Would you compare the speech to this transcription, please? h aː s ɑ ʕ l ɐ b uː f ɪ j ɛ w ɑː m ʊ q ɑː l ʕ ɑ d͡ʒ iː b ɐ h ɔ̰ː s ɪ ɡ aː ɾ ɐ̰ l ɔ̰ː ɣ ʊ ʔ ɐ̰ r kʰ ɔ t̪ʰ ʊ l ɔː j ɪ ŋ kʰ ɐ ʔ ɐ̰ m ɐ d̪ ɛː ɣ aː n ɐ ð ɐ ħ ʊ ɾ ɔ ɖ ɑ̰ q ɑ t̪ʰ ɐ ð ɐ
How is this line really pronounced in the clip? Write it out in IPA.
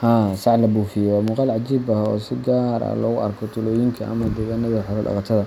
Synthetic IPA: h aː s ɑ ʕ l ɐ b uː f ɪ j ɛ w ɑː m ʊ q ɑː l ʕ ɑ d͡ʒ iː b ɐ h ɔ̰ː s ɪ ɡ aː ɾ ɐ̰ l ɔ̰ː ɣ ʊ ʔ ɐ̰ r kʰ ɔ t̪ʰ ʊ l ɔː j ɪ ŋ kʰ ɐ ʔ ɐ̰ m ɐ d̪ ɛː ɣ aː n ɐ ð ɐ ħ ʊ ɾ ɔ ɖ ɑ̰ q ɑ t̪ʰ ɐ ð ɐ